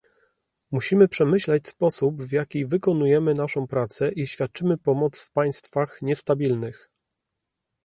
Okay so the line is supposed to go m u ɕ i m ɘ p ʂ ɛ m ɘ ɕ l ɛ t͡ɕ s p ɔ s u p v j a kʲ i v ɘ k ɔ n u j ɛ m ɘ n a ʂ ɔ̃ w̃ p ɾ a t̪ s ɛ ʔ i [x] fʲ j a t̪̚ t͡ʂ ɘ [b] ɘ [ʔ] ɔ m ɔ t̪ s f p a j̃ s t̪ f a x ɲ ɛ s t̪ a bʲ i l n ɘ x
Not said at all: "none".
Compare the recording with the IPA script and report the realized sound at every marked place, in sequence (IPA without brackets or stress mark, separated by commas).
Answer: ɕ, m, p